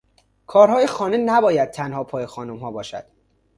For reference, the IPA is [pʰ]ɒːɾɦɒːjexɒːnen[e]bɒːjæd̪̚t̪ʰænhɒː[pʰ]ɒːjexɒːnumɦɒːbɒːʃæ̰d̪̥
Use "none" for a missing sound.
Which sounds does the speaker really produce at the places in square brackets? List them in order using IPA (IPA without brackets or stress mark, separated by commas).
kʰ, æ, pʰ